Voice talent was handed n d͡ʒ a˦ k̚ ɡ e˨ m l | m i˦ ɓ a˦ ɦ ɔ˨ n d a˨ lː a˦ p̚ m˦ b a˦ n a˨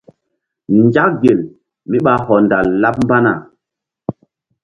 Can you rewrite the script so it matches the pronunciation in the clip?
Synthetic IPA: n d͡ʒ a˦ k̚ ɡ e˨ l | m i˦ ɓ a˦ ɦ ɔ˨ n d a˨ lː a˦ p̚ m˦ b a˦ n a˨